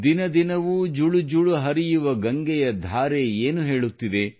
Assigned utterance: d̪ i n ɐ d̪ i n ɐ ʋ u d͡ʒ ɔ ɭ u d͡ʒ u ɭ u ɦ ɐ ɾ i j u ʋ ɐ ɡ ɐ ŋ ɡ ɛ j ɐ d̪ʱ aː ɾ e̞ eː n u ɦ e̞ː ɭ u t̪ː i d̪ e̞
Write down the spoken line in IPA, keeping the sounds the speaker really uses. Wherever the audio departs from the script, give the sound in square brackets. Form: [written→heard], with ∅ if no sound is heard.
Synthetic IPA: d̪ i n ɐ d̪ i n ɐ ʋ u d͡ʒ [ɔ→u] ɭ u d͡ʒ u ɭ u ɦ ɐ ɾ i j u ʋ ɐ ɡ ɐ ŋ ɡ ɛ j ɐ d̪ʱ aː ɾ e̞ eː n u ɦ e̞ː ɭ u t̪ː i d̪ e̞